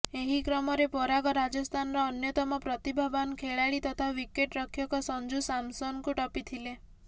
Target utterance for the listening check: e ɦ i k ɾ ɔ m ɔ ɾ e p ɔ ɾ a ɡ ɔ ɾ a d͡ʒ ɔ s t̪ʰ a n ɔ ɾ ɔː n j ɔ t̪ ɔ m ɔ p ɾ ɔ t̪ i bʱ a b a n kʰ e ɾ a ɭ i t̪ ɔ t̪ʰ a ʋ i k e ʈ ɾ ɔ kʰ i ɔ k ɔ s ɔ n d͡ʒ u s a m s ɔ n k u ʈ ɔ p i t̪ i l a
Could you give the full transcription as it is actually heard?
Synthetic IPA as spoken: e ɦ i k ɾ ɔ m ɔ ɾ e p ɔ ɾ a ɡ ɔ ɾ a d͡ʒ ɔ s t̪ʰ a n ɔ ɾ ɔː n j ɔ t̪ ɔ m ɔ p ɾ ɔ t̪ i bʱ a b a n kʰ e ɭ a ɭ i t̪ ɔ t̪ʰ a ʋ i k e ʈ ɾ ɔ kʰ j ɔ k ɔ s ɔ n d͡ʒ u s a m s ɔ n k u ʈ ɔ p i t̪ʰ i l e

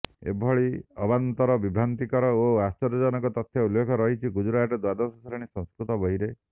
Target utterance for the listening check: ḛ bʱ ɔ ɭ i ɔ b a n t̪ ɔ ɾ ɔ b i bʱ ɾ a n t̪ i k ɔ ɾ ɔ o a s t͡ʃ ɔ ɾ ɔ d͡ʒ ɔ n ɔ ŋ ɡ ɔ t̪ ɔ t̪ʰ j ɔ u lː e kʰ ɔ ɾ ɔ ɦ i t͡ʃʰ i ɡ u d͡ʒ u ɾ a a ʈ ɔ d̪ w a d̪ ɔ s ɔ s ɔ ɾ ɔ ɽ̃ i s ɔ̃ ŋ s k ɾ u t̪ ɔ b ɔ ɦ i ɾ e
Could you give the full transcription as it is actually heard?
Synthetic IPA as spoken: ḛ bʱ ɔ ɭ i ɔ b a n t̪ ɔ ɾ ɔ b i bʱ ɾ a n t̪ i k ɔ ɾ ɔ o a s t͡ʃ ɔ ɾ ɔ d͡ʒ ɔ n ɔ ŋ k ɔ t̪ ɔ t̪ʰ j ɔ u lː e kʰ ɔ ɾ ɔ ɦ i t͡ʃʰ i ɡ u d͡ʒ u ɾ a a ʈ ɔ d̪ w a d̪ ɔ s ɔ s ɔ ɾ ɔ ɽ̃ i s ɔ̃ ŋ s k ɾ u t̪ ɔ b ɔ ɦ i ɾ e

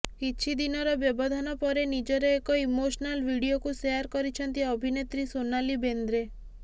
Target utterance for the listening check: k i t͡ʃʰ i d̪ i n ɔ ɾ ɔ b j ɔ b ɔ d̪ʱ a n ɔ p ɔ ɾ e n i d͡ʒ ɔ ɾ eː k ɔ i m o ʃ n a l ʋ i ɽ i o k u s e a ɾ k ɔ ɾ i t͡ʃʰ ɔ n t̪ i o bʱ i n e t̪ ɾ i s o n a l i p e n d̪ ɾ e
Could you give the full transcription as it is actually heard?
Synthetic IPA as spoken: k i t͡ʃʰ i d̪ i n ɔ ɾ ɔ b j ɔ b ɔ d̪ʱ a n ɔ p ɔ ɾ e n i d͡ʒ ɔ ɾ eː k ɔ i m o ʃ n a l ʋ i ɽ i o k u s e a ɾ k ɔ ɾ i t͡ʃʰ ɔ n t̪ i ɔ bʱ i n e t̪ ɾ i s o n a l i b e n d̪ ɾ e

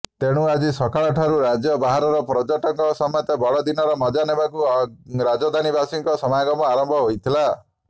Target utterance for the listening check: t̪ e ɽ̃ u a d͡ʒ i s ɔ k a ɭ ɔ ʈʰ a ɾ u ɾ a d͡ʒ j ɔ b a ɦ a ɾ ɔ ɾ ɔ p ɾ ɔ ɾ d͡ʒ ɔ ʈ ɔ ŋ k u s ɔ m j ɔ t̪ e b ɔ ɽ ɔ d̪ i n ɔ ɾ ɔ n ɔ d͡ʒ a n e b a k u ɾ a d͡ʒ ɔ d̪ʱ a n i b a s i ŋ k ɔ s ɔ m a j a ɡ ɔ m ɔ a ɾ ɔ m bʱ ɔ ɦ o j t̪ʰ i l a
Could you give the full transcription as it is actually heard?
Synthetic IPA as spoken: t̪ e ɽ̃ u a d͡ʒ i s ɔ k a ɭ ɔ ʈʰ a ɾ u ɾ a d͡ʒ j ɔ b a ɦ a ɾ ɔ ɾ ɔ p ɾ ɔ d͡ʒ ɔ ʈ ɔ ŋ k ɔ s ɔ m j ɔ t̪ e b ɔ ɽ ɔ d̪ i n ɔ ɾ ɔ m ɔ d͡ʒ a n e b a k u ɾ a d͡ʒ ɔ d̪ʱ a n i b a s i ŋ k ɔ s ɔ m a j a ɡ ɔ m ɔ a ɾ ɔ m bʱ ɔ ɦ o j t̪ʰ i l a

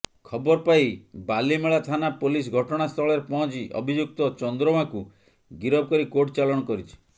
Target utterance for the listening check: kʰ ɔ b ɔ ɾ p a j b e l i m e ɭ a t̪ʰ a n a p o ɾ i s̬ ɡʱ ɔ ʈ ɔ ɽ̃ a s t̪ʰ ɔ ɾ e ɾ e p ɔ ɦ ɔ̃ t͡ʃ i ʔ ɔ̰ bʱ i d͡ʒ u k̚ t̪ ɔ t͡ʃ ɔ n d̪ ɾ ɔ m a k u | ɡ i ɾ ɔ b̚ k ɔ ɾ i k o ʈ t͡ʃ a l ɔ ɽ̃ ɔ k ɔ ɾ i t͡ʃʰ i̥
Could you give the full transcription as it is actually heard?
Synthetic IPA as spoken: kʰ ɔ b ɔ ɾ p a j b a l i m e ɭ a t̪ʰ a n a p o l i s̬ ɡʱ ɔ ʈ ɔ ɽ̃ a s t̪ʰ ɔ ɭ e ɾ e p ɔ ɦ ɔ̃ t͡ʃ i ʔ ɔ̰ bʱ i d͡ʒ u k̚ t̪ ɔ t͡ʃ ɔ n d̪ ɾ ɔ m a k u | ɡ i ɾ ɔ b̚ k ɔ ɾ i k o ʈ t͡ʃ a l ɔ ɽ̃ ɔ k ɔ ɾ i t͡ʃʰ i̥

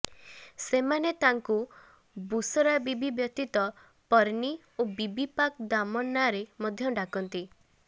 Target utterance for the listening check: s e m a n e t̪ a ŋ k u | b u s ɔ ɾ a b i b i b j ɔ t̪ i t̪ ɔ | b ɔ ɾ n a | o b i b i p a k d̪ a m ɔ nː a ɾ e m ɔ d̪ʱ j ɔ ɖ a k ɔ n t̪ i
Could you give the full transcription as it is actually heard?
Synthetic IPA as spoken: s e m a n e t̪ a ŋ k u | b u s ɔ ɾ a b i b i b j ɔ t̪ i t̪ ɔ | p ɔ ɾ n i | o b i b i p a k d̪ a m ɔ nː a ɾ e m ɔ d̪ʱ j ɔ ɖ a k ɔ n t̪ i

